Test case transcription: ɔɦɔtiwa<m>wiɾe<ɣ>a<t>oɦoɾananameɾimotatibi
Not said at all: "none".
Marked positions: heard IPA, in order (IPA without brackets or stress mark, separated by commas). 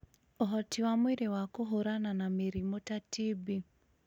m, w, k